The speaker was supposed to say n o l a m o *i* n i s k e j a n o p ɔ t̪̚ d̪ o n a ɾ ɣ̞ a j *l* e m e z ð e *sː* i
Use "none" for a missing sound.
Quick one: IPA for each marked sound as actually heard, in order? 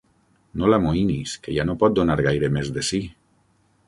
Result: i, ɾ, s

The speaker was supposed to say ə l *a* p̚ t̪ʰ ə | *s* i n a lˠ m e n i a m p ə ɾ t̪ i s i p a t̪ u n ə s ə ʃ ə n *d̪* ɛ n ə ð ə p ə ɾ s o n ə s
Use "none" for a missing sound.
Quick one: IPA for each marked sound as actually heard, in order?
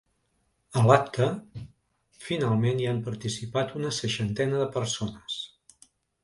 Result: a, f, t̪

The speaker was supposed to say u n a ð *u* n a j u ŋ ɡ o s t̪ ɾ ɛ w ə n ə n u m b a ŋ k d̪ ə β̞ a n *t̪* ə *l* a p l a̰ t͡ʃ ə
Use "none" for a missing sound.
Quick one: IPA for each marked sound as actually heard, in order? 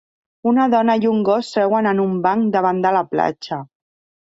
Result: ɔ, d̪, l

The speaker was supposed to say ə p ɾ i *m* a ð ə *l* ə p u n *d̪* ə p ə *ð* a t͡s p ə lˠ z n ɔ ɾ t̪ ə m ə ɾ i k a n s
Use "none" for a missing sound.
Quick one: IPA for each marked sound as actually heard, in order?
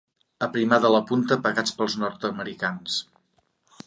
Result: m, l, t̪, ɣ

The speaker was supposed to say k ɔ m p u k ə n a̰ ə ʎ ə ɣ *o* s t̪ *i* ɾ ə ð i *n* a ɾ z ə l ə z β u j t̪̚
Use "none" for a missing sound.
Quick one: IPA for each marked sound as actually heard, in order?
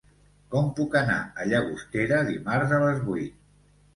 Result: u, e, m

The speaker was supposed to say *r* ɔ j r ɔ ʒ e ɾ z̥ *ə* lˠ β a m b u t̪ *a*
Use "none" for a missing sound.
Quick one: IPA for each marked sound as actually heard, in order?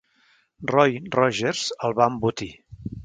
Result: r, ə, i

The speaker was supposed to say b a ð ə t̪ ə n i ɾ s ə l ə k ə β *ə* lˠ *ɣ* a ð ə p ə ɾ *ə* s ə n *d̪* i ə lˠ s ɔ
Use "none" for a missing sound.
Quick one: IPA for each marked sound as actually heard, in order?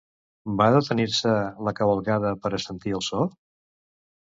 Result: ə, ɣ, ə, t̪

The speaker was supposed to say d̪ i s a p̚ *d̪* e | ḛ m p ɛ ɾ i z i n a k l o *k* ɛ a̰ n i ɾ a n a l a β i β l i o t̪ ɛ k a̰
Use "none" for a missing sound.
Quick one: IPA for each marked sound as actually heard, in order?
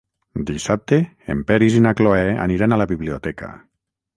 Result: t̪, none

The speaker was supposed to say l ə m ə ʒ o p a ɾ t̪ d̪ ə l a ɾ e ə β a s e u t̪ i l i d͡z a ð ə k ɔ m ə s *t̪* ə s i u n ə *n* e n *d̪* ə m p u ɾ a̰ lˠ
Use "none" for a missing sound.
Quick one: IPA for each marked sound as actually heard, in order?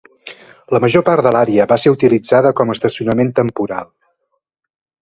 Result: t̪, m, t̪

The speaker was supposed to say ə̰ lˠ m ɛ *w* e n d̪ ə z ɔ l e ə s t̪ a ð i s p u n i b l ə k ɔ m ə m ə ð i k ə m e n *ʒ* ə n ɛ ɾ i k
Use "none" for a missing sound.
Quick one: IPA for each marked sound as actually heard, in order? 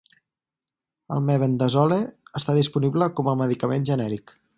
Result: β, ʒ

